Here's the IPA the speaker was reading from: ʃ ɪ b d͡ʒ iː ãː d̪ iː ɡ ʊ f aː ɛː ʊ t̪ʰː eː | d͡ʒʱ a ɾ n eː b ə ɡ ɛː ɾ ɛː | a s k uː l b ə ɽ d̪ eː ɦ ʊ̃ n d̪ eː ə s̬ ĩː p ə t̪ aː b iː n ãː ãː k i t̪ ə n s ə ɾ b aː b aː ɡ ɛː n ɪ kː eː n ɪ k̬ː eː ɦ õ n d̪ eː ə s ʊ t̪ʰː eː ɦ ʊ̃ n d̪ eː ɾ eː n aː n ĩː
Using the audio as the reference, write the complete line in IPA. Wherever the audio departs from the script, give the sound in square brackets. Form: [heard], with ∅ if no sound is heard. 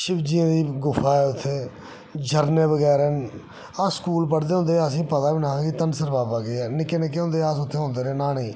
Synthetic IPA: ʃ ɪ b d͡ʒ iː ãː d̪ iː ɡ ʊ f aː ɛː ʊ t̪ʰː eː | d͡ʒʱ [ə] ɾ n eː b ə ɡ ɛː ɾ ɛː | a s k uː l [p] ə ɽ d̪ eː ɦ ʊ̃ n d̪ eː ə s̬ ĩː p ə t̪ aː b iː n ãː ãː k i t̪ ə n s ə ɾ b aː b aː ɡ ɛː n ɪ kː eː n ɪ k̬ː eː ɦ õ n d̪ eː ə s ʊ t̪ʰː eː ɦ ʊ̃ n d̪ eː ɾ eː n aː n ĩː

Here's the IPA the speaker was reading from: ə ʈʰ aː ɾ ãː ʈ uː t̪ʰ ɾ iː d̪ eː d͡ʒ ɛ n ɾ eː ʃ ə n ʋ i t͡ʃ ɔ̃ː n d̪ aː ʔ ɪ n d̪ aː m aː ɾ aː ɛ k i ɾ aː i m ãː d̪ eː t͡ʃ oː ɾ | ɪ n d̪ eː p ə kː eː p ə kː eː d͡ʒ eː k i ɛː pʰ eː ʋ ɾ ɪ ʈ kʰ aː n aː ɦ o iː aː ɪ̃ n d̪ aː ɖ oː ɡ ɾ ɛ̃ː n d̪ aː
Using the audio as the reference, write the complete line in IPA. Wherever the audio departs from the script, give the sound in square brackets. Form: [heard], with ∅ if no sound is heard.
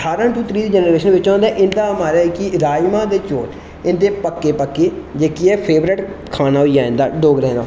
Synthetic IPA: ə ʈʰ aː ɾ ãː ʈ uː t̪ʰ ɾ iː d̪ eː d͡ʒ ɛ n ɾ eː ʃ ə n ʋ [ɪ] t͡ʃ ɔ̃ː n d̪ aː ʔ ɪ n d̪ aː m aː ɾ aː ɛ k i ɾ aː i m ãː d̪ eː t͡ʃ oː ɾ | ɪ n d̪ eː p ə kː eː p ə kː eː d͡ʒ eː k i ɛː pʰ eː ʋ ɾ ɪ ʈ kʰ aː n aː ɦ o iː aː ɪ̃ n d̪ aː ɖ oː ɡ ɾ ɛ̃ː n d̪ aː

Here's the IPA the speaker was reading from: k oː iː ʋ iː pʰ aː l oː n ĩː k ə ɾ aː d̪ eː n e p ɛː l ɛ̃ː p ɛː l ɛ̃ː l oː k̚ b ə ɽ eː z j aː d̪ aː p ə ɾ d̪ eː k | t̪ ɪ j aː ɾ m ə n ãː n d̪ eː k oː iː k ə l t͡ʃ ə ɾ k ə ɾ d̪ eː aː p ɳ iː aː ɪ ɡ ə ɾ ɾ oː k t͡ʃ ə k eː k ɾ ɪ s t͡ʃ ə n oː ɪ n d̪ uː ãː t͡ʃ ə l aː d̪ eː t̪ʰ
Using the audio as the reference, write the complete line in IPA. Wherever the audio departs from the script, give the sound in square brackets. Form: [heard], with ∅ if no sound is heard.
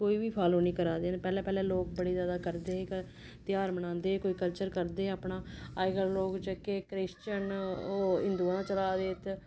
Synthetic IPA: k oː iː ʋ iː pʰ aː l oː n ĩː k ə ɾ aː d̪ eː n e p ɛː l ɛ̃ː p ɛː l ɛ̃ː l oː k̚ b ə ɽ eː z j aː d̪ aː [k] ə ɾ d̪ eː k | t̪ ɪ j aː ɾ m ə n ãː n d̪ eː k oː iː k ə l t͡ʃ ə ɾ k ə ɾ d̪ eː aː p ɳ [aː] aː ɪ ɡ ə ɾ [l] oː k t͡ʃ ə k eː k ɾ ɪ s t͡ʃ ə n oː ɪ n d̪ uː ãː t͡ʃ ə l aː d̪ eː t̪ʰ

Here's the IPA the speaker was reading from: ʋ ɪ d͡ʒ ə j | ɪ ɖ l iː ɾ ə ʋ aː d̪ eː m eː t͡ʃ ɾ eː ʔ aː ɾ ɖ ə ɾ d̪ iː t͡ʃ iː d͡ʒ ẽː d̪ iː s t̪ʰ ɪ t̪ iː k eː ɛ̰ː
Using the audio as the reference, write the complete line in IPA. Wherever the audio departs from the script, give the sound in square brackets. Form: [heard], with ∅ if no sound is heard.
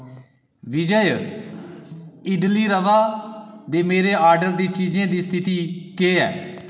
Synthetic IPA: ʋ ɪ d͡ʒ ə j | ɪ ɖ l iː ɾ ə ʋ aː d̪ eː m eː [∅] ɾ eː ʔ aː ɾ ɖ ə ɾ d̪ iː t͡ʃ iː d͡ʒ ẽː d̪ iː s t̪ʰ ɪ t̪ iː k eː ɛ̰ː

